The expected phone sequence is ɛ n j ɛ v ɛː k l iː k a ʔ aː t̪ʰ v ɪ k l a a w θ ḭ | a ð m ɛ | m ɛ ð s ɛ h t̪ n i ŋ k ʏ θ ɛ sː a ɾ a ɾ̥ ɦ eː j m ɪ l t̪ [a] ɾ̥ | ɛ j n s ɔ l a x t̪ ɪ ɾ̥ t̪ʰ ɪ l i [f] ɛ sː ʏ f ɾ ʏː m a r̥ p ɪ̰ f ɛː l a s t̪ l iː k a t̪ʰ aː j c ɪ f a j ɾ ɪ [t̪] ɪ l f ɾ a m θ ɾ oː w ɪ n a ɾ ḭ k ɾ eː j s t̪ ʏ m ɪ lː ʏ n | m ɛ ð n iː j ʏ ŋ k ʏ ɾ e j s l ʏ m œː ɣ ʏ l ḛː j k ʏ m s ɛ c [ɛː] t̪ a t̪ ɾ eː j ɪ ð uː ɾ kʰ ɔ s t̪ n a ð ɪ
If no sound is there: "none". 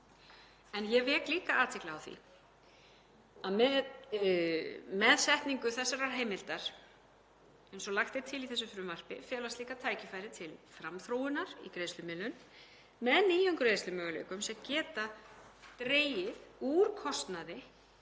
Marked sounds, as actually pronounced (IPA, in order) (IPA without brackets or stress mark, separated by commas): a, θ, t̪ʰ, ɛː